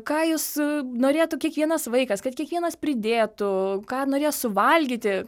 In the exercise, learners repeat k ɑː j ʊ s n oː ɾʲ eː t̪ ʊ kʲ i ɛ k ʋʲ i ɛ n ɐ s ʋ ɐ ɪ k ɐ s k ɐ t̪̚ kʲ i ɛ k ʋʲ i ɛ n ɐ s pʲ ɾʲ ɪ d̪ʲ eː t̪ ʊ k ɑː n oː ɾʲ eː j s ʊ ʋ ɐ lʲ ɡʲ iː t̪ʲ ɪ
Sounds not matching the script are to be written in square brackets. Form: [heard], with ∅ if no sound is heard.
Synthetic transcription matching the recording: k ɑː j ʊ s n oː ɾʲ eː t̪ ʊ kʲ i ɛ k ʋʲ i ɛ n ɐ s ʋ ɐ ɪ k ɐ s k ɐ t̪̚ kʲ i ɛ k ʋʲ i ɛ n ɐ s pʲ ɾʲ ɪ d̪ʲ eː t̪ ʊ k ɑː n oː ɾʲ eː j s ʊ ʋ ɐ lʲ ɡʲ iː t̪ʲ ɪ